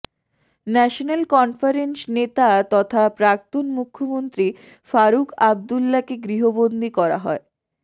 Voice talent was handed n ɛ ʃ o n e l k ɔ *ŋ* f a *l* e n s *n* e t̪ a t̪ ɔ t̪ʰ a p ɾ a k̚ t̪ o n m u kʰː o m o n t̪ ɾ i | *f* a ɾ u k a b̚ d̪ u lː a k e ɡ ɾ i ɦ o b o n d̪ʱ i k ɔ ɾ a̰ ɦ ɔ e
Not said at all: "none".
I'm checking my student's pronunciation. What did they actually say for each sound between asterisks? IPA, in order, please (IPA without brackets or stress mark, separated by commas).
n, ɾ, n, f